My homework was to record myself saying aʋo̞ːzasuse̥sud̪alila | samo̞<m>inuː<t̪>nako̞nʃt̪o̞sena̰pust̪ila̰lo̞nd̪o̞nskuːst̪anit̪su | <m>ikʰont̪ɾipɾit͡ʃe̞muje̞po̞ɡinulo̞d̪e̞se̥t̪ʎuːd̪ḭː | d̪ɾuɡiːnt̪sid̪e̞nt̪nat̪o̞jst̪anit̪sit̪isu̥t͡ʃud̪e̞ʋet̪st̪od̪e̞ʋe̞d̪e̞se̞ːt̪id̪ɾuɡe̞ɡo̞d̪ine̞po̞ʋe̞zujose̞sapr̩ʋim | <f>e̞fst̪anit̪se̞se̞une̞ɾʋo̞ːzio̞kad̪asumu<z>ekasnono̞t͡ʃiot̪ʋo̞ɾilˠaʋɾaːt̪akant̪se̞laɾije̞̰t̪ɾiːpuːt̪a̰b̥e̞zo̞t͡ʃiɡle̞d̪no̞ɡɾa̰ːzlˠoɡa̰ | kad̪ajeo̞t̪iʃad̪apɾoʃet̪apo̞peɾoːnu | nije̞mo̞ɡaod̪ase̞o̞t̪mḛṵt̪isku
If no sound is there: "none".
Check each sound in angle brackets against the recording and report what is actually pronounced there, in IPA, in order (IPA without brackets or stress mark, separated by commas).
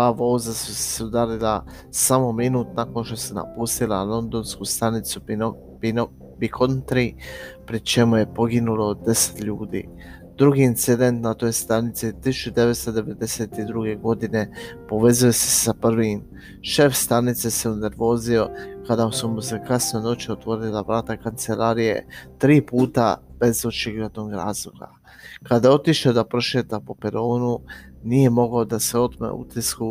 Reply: m, t̪, b, ʃ, s